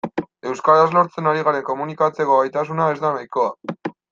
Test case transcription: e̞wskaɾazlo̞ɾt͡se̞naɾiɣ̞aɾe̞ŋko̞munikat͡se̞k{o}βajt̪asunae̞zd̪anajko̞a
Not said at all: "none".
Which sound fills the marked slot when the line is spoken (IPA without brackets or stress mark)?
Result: o